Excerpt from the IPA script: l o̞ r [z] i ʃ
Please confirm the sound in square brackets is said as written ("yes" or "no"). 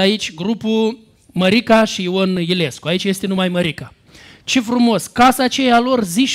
yes